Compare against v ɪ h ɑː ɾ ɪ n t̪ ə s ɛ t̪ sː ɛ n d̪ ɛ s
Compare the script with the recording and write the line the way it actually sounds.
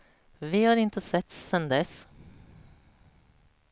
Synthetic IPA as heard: v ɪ h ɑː ɾ ɪ n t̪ ə s ɛ t̪ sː ɛ n d̪ ɛ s